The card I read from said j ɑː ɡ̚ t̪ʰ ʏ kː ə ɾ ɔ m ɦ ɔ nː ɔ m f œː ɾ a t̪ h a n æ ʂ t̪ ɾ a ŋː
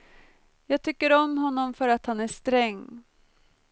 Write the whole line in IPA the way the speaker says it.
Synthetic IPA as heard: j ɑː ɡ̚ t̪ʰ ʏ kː ə ɾ ɔ m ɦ ɔ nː ɔ m f œ ɾ a t̪ h a n æ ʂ t̪ ɾ ɛ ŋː